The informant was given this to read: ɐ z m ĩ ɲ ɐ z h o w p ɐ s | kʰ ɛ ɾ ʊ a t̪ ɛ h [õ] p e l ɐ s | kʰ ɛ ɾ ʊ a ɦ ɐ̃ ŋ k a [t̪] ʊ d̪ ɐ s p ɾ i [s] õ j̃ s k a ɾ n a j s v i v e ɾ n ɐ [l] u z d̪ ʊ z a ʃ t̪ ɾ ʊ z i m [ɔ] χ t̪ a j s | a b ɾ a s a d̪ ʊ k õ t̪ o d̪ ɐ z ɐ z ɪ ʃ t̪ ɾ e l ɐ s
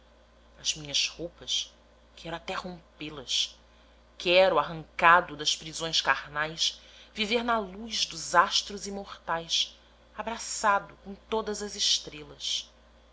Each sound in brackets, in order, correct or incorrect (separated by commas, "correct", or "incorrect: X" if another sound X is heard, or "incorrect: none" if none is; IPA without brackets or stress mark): correct, incorrect: d̪, incorrect: z, correct, incorrect: o